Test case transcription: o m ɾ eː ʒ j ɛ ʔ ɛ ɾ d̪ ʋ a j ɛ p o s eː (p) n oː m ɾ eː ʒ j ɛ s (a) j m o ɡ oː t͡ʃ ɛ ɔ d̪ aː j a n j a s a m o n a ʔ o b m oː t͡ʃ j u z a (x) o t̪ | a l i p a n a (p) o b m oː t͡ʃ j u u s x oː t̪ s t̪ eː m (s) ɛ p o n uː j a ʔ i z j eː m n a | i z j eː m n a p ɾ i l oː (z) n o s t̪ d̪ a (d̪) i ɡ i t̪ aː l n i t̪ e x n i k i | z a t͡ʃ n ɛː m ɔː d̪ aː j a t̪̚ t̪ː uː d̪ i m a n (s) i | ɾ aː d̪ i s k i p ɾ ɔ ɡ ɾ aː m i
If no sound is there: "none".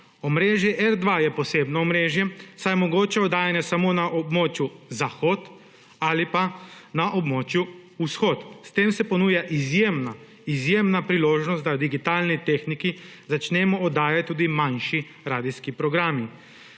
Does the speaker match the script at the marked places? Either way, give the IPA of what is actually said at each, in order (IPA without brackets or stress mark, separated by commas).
b, a, x, ʔ, s, ʒ, d̪, ʃ